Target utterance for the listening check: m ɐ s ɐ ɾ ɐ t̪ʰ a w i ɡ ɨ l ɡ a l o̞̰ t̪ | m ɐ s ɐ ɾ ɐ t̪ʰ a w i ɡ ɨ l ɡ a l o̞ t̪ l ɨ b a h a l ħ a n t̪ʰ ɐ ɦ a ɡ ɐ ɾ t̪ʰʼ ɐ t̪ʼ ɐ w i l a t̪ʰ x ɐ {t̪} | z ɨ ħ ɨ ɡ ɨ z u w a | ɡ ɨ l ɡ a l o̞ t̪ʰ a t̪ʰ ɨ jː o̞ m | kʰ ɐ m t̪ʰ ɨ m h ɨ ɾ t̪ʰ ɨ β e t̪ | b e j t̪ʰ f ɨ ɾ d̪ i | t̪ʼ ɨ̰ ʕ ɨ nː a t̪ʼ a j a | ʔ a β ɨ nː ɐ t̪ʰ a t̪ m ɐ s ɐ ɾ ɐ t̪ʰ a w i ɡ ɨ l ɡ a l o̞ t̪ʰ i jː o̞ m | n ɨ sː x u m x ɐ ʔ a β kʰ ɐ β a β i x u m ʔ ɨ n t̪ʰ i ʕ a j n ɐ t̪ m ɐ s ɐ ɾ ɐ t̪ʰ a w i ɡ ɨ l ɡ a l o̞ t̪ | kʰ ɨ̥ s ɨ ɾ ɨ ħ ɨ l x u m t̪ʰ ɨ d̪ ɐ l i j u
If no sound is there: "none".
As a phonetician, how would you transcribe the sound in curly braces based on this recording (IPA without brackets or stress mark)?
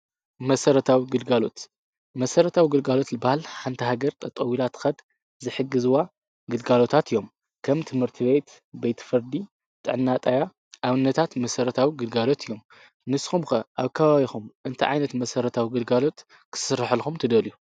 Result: d̪